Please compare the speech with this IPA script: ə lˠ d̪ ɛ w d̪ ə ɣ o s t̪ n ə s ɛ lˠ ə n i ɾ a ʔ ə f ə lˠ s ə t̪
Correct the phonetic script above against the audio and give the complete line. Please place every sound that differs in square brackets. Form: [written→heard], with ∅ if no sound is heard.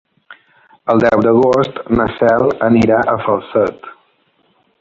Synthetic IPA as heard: ə lˠ d̪ ɛ w d̪ ə ɣ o s t̪ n ə s ɛ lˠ ə n i ɾ a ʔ ə f ə lˠ s ə t̪